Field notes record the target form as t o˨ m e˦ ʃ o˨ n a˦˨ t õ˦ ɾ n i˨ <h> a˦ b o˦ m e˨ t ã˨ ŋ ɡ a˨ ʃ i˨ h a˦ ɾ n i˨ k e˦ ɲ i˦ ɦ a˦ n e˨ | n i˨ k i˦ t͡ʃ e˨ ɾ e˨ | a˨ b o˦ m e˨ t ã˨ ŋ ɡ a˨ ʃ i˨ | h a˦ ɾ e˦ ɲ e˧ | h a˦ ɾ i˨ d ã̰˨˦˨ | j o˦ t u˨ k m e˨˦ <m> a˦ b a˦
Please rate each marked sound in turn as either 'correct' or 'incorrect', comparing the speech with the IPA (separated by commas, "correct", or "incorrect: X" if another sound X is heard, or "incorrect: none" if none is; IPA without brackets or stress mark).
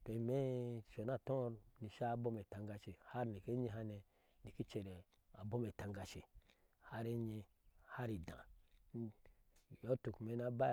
incorrect: ʃ, incorrect: n